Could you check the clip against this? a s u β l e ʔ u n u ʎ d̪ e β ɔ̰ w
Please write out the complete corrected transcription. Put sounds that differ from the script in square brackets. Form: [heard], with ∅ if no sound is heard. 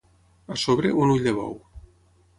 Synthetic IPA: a s [o] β [ɾ] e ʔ u n u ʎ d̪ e β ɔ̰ w